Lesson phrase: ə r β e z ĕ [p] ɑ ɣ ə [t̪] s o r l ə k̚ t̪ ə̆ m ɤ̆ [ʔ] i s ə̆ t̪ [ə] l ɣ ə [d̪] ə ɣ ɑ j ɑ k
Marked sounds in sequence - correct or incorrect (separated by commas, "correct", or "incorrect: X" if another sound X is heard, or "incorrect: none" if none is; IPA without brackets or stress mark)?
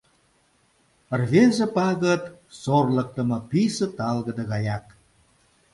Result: correct, correct, incorrect: p, incorrect: ɑ, correct